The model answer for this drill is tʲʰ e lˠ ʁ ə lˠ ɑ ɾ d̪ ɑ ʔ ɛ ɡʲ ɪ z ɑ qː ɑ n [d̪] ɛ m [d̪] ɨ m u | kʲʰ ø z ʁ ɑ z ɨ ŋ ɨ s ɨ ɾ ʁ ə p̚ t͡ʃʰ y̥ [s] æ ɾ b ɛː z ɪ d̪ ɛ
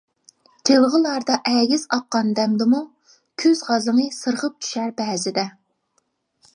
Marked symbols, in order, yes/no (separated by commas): yes, yes, no